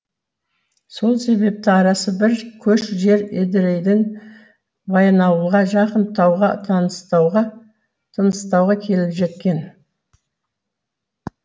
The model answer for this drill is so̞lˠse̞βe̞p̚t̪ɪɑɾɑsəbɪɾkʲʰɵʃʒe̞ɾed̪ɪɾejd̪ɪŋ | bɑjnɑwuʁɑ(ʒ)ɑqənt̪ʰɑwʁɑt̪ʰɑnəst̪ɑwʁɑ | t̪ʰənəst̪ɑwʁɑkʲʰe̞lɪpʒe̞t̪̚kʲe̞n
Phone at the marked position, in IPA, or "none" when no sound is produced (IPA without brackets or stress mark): ʒ